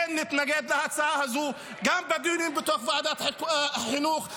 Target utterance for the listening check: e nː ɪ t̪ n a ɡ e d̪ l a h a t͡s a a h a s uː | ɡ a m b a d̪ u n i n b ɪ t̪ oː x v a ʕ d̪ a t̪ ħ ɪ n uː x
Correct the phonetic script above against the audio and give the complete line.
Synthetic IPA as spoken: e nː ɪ t̪ n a ɡ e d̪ l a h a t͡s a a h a z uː | ɡ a m b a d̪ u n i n b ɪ t̪ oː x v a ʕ d̪ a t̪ ħ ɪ n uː x